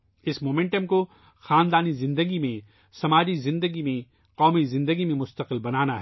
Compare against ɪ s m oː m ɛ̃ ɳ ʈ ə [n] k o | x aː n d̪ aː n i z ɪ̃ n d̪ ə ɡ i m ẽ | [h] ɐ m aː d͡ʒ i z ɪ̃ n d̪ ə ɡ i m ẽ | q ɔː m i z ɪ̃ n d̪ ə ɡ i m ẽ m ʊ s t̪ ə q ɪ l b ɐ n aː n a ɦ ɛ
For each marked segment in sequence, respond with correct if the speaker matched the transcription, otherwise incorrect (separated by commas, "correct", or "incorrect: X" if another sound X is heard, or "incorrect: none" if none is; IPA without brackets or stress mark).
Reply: incorrect: m, incorrect: s